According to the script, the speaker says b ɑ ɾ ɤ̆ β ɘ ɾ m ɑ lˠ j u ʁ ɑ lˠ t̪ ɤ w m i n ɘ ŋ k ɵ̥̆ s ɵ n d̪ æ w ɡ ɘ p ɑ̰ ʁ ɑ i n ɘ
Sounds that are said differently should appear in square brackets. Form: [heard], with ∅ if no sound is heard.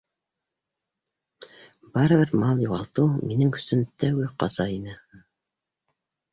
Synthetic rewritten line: b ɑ ɾ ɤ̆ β ɘ ɾ m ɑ lˠ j u ʁ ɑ lˠ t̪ ɤ w m i n ɘ ŋ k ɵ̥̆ s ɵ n [t̪] æ w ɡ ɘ [q] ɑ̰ [z] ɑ i n ɘ